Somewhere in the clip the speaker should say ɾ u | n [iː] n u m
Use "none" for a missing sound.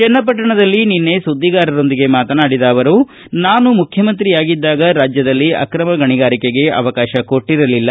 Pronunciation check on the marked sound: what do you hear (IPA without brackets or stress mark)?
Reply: aː